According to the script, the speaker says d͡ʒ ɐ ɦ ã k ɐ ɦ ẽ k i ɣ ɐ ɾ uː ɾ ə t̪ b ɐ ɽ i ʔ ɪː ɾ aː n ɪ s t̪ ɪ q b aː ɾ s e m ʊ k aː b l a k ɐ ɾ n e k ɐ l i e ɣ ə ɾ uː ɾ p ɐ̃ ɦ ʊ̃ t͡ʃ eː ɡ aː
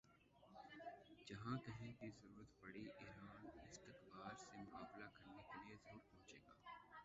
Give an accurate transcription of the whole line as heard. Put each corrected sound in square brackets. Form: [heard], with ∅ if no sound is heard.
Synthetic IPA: d͡ʒ ɐ ɦ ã k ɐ ɦ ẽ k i [z] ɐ ɾ uː ɾ ə t̪ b ɐ ɽ i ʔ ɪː ɾ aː n ɪ s t̪ ɪ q b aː ɾ s e m ʊ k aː b l a k ɐ ɾ n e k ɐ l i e [z] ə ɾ uː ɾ p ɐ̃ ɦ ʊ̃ t͡ʃ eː ɡ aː